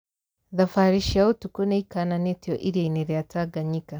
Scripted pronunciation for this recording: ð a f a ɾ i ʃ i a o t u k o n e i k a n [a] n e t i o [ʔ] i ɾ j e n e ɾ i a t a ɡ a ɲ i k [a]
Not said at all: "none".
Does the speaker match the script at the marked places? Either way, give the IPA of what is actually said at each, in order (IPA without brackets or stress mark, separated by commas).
a, ʔ, a